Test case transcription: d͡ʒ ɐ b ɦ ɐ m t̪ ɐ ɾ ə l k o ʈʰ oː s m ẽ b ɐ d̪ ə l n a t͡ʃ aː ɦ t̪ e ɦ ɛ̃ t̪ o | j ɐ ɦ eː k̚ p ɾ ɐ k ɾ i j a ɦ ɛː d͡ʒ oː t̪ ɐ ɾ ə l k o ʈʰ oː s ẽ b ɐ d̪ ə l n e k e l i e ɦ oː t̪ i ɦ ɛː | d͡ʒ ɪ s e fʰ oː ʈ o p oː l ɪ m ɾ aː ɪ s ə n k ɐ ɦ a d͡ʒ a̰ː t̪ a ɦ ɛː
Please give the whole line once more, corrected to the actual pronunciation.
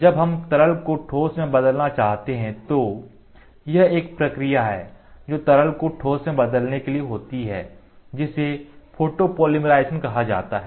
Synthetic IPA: d͡ʒ ɐ b ɦ ɐ m t̪ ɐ ɾ ə l k o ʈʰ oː s m ẽ b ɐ d̪ ə l n a t͡ʃ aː ɦ t̪ e ɦ ɛ̃ t̪ o | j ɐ ɦ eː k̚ p ɾ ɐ k ɾ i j a ɦ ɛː d͡ʒ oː t̪ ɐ ɾ ə l k o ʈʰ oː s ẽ b ɐ d̪ ə l n e k e l i e ɦ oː t̪ i ɦ ɛː | d͡ʒ ɪ s e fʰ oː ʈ o p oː l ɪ m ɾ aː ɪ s ə n k ɐ ɦ a d͡ʒ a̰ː t̪ a ɦ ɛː